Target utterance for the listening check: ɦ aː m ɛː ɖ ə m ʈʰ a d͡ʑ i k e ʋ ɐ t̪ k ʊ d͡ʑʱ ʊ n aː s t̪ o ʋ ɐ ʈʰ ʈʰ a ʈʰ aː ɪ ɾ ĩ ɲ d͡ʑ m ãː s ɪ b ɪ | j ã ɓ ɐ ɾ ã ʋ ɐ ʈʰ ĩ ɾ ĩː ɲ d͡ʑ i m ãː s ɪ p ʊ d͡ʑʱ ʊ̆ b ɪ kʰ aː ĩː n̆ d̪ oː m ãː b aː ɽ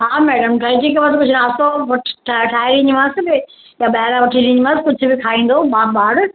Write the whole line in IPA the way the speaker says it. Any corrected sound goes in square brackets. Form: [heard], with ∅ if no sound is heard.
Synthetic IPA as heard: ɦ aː m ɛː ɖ ə m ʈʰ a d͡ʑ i k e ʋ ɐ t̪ k ʊ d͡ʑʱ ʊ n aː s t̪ o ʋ ɐ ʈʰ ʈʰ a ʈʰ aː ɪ ɾ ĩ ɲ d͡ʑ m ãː s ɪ b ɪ | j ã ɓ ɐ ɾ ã ʋ ɐ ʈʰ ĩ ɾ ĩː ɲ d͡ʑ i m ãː s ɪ [k] ʊ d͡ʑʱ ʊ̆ b ɪ kʰ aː ĩː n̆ d̪ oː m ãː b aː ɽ